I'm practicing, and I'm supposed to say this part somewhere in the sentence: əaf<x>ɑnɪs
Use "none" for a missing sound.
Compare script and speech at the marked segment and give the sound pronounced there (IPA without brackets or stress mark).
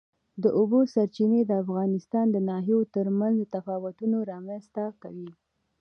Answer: ɣ